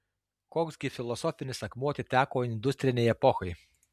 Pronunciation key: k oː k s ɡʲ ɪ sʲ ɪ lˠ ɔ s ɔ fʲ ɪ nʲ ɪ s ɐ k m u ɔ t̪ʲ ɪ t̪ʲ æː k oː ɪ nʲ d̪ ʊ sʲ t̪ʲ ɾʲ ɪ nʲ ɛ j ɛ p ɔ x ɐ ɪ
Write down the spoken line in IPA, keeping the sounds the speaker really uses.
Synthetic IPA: k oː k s ɡʲ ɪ fʲ ɪ lˠ ɔ s ɔ fʲ ɪ nʲ ɪ s ɐ k m u ɔ t̪ʲ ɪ t̪ʲ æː k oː ɪ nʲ d̪ ʊ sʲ t̪ʲ ɾʲ ɪ nʲ ɛ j ɛ p ɔ x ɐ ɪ

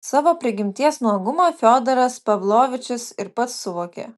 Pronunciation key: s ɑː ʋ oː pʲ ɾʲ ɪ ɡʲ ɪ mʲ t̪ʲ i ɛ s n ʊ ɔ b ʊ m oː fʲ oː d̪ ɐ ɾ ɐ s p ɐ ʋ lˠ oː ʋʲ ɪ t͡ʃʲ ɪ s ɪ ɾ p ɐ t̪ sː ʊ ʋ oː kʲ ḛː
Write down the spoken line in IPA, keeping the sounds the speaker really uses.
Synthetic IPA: s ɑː ʋ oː pʲ ɾʲ ɪ ɡʲ ɪ mʲ t̪ʲ i ɛ s n u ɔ ɡ ʊ m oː fʲ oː d̪ ɐ ɾ ɐ s p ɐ ʋ lˠ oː ʋʲ ɪ t͡ʃʲ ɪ s ɪ ɾ p ɐ t̪ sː ʊ ʋ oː kʲ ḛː

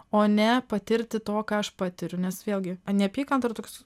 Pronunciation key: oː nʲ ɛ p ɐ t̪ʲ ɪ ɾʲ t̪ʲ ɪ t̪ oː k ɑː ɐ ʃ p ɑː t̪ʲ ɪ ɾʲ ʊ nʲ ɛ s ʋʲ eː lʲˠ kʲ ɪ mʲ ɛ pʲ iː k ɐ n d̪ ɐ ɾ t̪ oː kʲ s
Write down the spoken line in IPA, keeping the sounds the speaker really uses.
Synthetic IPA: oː nʲ ɛ p ɐ t̪ʲ ɪ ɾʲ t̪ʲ ɪ t̪ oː k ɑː ɐ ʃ p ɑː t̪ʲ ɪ ɾʲ ʊ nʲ ɛ s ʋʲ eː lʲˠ ɡʲ ɪ nʲ ɛ pʲ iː k ɐ n t̪ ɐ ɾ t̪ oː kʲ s

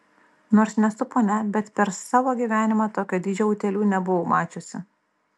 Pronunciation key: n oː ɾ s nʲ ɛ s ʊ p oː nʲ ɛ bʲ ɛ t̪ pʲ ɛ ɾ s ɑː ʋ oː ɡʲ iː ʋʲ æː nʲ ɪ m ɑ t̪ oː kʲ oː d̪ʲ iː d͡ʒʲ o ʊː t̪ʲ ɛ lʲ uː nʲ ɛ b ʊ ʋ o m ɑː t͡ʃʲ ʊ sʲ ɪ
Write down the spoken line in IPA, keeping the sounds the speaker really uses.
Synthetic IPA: n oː ɾ s nʲ ɛ s ʊ p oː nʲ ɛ bʲ ɛ t̪ pʲ ɛ ɾ s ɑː ʋ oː ɡʲ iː ʋʲ æː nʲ ɪ m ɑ t̪ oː kʲ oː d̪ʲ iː d͡ʒʲ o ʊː t̪ʲ ɛ lʲ uː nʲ ɛ b ʊ ʋ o m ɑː t͡ʃʲ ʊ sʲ ɪ

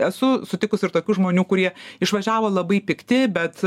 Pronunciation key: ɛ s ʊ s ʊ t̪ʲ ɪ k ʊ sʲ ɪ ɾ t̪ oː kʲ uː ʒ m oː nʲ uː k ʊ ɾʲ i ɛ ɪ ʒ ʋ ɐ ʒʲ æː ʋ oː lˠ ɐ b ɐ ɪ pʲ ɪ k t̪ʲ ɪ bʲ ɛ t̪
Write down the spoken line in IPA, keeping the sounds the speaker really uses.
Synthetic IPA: ɛ s ʊ s ʊ t̪ʲ ɪ k ʊ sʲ ɪ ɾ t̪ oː kʲ uː ʒ m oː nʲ uː k ʊ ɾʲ i ɛ ɪ ʃ ʋ ɐ ʒʲ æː ʋ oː lˠ ɐ b ɐ ɪ pʲ ɪ k t̪ʲ ɪ bʲ ɛ t̪

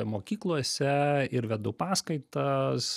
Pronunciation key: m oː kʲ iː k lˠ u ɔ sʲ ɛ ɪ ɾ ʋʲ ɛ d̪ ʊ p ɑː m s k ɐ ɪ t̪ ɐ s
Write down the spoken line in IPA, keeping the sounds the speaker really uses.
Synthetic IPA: m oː kʲ iː k lˠ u ɔ sʲ ɛ ɪ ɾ ʋʲ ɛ d̪ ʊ p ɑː s k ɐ ɪ t̪ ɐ s

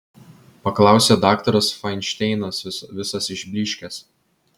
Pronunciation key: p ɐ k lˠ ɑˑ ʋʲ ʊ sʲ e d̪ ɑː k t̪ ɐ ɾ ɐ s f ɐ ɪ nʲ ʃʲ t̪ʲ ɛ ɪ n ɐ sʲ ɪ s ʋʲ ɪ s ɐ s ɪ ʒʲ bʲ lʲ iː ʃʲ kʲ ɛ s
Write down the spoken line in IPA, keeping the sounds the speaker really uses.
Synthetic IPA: p ɐ k lˠ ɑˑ ʊ sʲ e d̪ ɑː k t̪ ɐ ɾ ɐ s f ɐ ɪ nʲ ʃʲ t̪ʲ ɛ ɪ n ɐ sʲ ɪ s ʋʲ ɪ s ɐ s ɪ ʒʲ bʲ lʲ iː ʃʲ kʲ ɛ s

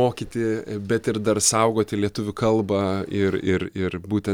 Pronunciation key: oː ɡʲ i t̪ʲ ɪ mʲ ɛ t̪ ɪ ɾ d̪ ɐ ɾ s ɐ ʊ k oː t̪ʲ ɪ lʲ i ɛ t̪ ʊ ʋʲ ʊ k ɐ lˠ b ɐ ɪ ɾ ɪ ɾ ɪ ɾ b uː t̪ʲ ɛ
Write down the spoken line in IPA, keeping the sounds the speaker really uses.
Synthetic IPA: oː kʲ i t̪ʲ ɪ bʲ ɛ t̪ ɪ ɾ d̪ ɐ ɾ s ɐ ʊ ɡ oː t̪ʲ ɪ lʲ i ɛ t̪ ʊ ʋʲ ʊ k ɐ lˠ b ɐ ɪ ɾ ɪ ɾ ɪ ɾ b uː t̪ʲ ɛ

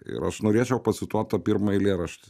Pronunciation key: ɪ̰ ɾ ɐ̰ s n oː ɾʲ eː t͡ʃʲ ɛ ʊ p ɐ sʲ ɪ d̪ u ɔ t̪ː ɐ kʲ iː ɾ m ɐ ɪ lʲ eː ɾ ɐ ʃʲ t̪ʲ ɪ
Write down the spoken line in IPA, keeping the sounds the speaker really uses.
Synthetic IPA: ɪ̰ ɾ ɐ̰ ʃ n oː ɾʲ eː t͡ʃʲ ɛ ʊ p ɐ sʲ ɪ t̪ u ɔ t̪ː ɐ pʲ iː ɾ m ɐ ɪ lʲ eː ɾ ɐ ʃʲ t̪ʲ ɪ

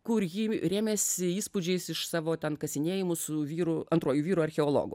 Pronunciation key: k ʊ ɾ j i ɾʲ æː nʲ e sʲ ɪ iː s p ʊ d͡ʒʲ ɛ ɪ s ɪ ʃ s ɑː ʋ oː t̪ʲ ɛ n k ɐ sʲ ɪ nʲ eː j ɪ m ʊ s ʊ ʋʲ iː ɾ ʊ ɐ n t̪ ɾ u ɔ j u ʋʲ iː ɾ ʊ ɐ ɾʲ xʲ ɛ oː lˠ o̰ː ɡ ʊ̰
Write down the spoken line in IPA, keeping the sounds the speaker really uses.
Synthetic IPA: k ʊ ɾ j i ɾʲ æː mʲ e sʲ ɪ iː s p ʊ d͡ʒʲ ɛ ɪ s ɪ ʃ s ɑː ʋ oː t̪ʲ ɛ n k ɐ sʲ ɪ nʲ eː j ɪ m ʊ s ʊ ʋʲ iː ɾ ʊ ɐ n t̪ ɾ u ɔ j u ʋʲ iː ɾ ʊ ɐ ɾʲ xʲ ɛ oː lˠ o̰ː ɡ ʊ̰

